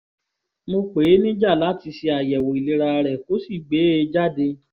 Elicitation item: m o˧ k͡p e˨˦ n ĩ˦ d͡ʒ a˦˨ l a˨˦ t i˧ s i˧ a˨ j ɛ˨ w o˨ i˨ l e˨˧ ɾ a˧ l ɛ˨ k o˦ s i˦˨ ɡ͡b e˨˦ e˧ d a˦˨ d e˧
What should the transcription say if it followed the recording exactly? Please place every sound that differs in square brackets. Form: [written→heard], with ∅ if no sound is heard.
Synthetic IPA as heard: m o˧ k͡p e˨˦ n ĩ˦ d͡ʒ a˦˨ l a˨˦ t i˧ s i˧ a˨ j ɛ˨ w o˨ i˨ l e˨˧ ɾ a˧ [l→ɾ] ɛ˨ k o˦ s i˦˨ ɡ͡b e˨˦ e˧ [d→d͡ʒ] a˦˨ d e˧